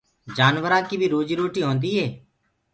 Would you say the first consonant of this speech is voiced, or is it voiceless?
voiced